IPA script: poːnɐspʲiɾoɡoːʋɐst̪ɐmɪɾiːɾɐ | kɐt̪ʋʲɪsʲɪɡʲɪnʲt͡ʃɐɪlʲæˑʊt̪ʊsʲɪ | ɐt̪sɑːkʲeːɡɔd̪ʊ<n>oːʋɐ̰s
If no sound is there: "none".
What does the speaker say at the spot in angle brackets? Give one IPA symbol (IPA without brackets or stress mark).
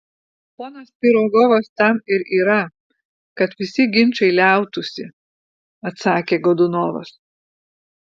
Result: n